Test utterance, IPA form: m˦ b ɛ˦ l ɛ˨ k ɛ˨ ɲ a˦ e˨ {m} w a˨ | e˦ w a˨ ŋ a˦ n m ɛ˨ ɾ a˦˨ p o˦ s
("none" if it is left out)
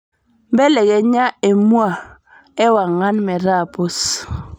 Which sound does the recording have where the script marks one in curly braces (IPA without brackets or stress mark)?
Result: m